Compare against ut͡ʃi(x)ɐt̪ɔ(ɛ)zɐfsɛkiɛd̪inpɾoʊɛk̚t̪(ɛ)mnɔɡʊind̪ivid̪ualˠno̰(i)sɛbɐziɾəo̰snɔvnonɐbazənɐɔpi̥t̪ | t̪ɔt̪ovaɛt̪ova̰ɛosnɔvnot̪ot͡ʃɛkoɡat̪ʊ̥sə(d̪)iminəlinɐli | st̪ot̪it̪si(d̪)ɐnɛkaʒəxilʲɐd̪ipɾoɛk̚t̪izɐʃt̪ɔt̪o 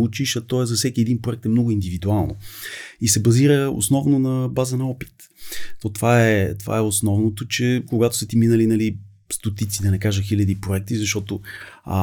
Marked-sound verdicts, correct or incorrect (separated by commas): incorrect, correct, correct, correct, incorrect, correct